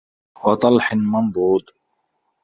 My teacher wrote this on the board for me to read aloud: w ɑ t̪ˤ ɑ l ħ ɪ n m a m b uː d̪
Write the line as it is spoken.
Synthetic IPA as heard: w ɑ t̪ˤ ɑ l ħ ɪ n m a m b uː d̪

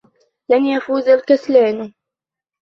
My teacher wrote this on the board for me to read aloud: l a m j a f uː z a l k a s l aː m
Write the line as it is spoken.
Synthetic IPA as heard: l a n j a f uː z a l k a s l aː n

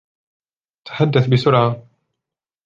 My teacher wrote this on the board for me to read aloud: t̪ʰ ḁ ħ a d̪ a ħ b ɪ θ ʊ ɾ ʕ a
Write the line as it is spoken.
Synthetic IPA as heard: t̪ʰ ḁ ħ a d̪ː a θ b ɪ s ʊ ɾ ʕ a

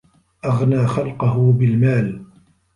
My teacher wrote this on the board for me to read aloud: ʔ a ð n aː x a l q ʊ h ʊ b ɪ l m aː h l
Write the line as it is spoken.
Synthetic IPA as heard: ʔ a ɣ n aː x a l q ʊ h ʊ b ɪ l m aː l

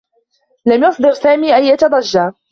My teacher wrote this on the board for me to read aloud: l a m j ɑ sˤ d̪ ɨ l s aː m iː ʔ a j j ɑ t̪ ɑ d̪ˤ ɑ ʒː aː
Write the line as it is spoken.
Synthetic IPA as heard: l a m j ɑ sˤ d̪ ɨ ɾ s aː m iː ʔ a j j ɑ t̪ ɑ d̪ˤ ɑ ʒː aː

